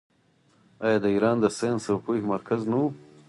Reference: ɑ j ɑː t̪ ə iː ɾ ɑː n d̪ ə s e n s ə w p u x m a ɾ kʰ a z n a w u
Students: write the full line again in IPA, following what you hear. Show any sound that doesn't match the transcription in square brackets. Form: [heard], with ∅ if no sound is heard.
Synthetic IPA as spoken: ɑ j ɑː [d̪] ə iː ɾ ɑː n d̪ ə s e n s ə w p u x m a ɾ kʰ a z n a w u